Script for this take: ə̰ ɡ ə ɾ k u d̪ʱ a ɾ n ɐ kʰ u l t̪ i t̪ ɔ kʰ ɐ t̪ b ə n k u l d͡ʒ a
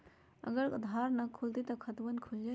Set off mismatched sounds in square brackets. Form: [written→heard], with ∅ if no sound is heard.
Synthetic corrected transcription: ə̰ ɡ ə ɾ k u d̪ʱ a ɾ n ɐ kʰ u l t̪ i t̪ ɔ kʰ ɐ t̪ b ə n [k→kʰ] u l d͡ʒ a